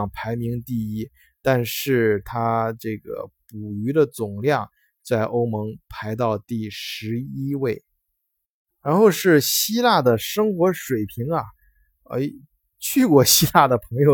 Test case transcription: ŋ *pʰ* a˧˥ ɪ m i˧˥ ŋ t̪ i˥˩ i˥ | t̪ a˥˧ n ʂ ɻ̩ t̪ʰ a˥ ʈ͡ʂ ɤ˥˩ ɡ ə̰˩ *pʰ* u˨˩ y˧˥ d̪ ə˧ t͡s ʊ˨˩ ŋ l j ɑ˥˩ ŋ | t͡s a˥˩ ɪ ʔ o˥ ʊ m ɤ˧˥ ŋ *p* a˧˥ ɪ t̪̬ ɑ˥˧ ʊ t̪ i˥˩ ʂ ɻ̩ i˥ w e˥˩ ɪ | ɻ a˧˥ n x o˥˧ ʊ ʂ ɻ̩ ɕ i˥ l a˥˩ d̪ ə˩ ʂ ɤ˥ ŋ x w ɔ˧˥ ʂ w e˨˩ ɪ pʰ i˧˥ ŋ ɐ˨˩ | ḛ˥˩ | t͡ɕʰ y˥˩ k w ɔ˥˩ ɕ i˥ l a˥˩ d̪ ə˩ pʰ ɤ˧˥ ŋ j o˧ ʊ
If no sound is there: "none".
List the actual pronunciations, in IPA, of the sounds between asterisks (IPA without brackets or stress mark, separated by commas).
pʰ, p, pʰ